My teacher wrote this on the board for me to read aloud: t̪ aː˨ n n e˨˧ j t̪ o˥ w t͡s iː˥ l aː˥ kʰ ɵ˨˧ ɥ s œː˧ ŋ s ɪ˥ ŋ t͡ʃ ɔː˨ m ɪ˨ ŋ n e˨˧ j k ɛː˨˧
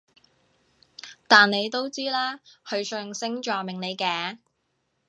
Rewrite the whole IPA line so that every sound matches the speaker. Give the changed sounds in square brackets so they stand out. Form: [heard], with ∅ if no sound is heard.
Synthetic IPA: t̪ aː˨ n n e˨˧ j t̪ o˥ w t͡s iː˥ l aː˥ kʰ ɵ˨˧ ɥ s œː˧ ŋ s ɪ˥ ŋ t͡ʃ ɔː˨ m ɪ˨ ŋ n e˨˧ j k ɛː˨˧